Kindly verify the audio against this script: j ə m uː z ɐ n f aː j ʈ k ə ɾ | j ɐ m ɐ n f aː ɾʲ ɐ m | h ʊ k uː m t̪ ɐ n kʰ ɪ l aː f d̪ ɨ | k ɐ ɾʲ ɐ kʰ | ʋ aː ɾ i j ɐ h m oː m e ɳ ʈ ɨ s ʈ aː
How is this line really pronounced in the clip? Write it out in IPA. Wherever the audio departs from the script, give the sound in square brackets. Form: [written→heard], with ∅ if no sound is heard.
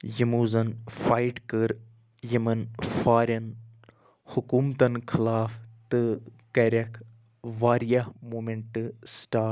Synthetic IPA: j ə m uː z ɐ n f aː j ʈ k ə ɾ | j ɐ m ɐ n f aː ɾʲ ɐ [m→n] | h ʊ k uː m t̪ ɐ n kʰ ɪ l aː f [d̪→t̪] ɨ | k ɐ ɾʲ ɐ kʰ | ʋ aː ɾ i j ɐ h m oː m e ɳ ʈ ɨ s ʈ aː